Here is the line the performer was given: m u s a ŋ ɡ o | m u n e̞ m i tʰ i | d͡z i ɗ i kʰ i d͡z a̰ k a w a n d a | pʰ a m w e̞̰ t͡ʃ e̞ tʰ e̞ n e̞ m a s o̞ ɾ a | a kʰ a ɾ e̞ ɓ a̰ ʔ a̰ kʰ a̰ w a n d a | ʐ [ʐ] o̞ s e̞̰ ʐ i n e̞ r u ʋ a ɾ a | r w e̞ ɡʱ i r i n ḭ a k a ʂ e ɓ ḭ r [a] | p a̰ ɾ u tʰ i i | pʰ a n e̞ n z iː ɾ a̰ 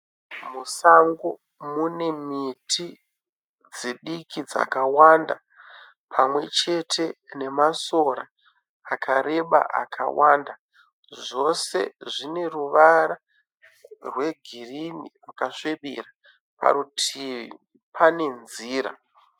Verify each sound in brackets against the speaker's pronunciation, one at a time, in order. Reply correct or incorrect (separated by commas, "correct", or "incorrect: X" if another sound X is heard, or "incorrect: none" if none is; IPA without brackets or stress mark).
correct, correct